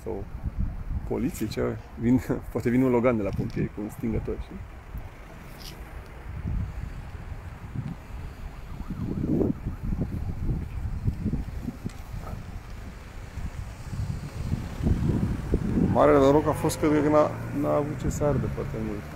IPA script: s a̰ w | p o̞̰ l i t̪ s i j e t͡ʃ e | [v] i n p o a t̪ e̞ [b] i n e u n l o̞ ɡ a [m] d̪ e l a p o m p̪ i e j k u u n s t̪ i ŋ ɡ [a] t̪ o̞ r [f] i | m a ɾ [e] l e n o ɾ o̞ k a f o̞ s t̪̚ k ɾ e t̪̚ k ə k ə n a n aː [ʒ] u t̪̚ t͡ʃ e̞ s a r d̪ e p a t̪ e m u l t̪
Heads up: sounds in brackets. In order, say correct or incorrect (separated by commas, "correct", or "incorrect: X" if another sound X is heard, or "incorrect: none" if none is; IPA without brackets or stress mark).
correct, incorrect: v, incorrect: n, incorrect: ə, incorrect: ʃ, correct, incorrect: v